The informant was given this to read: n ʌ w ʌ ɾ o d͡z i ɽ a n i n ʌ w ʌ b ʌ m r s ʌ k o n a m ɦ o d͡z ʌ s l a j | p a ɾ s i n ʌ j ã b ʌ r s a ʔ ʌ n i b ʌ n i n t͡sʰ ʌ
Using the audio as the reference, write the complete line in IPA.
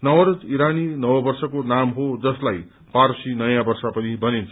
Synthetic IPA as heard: n ʌ w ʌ ɾ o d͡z i ɾ a n i n ʌ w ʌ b ʌ r s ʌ k o n a m ɦ o d͡z ʌ s l a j | p a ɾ s i n ʌ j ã b ʌ r s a p ʌ n i b ʌ n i n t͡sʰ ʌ